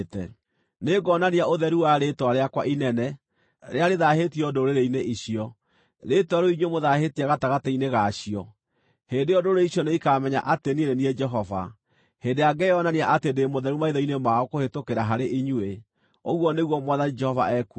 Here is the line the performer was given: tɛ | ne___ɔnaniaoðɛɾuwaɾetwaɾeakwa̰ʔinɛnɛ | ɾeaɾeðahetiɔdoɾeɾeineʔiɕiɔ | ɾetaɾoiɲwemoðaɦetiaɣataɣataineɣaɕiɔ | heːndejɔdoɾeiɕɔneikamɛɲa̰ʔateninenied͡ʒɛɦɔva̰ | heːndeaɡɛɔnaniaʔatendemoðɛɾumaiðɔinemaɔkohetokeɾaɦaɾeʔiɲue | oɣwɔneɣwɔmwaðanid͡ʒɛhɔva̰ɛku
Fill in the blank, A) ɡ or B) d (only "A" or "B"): A